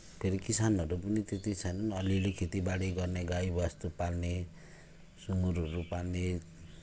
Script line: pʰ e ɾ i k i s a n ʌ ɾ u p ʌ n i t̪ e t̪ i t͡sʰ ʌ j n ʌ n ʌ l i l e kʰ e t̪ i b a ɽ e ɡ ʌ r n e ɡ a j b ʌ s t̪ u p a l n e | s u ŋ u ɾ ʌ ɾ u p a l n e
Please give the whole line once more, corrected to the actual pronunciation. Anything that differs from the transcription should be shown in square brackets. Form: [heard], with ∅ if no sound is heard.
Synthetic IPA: pʰ e ɾ i k i s a n ʌ ɾ u p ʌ n i t̪ e t̪ i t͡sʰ ʌ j n ʌ n ʌ l i l e kʰ e t̪ i b a ɽ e ɡ ʌ r n e ɡ a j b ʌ s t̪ u p a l n e | s u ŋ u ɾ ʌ ɾ u p a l n e